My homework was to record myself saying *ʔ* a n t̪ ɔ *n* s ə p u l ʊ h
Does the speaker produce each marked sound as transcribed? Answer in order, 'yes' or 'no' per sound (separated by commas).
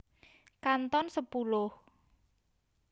no, yes